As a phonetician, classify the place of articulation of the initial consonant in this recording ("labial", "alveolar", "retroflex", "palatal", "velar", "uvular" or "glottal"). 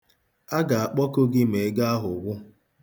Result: velar